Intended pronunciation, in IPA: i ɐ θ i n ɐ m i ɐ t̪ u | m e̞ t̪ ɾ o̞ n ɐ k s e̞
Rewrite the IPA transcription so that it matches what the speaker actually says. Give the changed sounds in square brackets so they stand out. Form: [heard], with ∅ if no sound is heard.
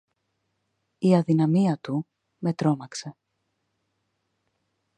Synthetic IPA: i ɐ [ð] i n ɐ m i ɐ t̪ u | m e̞ t̪ ɾ o̞ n ɐ k s e̞